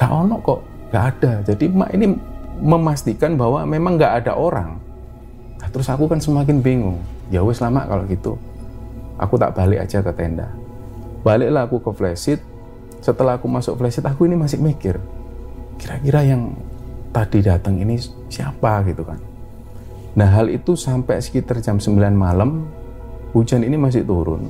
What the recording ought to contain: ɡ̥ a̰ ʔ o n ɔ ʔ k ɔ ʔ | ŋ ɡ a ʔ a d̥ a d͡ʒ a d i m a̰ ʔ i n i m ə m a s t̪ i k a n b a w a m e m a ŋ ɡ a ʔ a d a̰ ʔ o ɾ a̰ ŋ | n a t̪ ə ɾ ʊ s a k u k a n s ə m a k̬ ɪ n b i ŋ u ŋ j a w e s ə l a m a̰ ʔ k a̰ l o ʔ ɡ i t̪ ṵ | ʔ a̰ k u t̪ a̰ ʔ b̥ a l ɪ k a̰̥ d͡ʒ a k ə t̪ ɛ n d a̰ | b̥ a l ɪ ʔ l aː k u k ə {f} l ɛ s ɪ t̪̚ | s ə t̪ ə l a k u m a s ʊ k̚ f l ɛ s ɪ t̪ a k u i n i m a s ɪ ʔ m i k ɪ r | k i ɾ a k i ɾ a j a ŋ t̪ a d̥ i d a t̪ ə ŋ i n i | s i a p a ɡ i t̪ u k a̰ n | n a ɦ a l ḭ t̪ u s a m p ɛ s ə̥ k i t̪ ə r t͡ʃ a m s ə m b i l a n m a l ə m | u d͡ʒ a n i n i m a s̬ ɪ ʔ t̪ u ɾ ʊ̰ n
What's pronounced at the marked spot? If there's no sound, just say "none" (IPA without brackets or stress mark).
f